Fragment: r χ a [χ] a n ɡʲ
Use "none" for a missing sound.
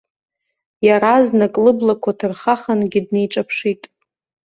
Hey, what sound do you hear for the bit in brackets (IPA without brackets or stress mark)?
χ